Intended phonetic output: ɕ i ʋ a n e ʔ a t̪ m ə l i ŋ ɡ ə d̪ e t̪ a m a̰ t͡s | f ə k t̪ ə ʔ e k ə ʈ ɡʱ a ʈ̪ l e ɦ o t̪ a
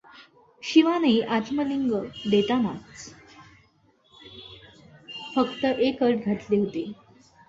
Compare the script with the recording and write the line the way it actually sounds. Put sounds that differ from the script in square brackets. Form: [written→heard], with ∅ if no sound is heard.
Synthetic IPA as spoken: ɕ i ʋ a n e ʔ a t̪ m ə l i ŋ ɡ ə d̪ e t̪ a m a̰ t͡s | f ə k t̪ ə ʔ e k ə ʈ ɡʱ a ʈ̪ l e ɦ o t̪ [a→e]